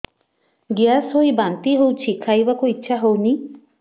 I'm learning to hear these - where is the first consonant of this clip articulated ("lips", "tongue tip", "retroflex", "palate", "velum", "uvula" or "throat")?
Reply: velum